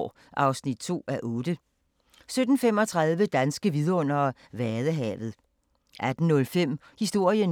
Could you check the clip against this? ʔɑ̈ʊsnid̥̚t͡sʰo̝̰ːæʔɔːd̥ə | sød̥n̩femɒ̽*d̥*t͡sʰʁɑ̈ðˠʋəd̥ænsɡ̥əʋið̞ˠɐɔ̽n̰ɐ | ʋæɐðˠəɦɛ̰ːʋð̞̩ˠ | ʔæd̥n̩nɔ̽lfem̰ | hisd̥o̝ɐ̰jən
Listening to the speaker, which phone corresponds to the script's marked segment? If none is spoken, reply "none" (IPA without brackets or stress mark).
none